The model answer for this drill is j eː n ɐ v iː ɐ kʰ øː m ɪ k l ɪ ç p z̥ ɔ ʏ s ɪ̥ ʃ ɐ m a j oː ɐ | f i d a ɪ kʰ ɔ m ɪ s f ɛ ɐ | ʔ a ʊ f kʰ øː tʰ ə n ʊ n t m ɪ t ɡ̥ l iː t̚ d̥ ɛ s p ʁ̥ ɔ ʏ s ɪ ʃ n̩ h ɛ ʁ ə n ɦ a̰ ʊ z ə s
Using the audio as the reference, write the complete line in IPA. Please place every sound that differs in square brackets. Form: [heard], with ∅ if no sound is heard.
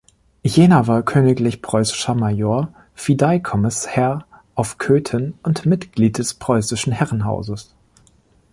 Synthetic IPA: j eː n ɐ v [aː] ɐ kʰ øː [n] ɪ k l ɪ ç p [ʁ̥] ɔ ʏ s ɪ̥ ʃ ɐ m a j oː ɐ | f i d a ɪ kʰ ɔ m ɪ s [h] ɛ ɐ | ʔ a ʊ f kʰ øː tʰ ə n ʊ n t m ɪ t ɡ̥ l iː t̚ d̥ ɛ s p ʁ̥ ɔ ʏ s ɪ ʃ n̩ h ɛ ʁ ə n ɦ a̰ ʊ z ə s